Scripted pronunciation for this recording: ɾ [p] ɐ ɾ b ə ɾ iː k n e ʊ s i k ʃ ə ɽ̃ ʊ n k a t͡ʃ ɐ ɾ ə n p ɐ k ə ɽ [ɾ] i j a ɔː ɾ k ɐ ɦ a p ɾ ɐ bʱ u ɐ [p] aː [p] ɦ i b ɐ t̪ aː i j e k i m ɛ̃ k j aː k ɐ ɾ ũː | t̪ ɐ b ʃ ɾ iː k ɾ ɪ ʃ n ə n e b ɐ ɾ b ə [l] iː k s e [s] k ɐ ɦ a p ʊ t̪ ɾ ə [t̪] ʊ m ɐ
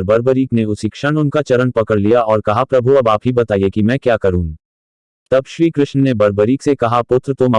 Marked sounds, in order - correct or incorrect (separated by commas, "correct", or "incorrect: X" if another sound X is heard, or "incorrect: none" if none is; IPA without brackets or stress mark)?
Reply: incorrect: b, incorrect: l, incorrect: b, correct, incorrect: ɾ, incorrect: none, correct